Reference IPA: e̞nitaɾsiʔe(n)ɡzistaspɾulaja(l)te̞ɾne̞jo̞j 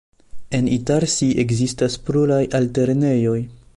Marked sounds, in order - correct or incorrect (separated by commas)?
incorrect, correct